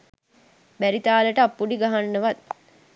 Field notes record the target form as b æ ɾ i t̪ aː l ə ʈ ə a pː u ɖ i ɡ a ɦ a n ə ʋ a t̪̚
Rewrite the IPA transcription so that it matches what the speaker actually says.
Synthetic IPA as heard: b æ ɾ i t̪ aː l ə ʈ ə a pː u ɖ i ɡ a ɦ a nː ə ʋ a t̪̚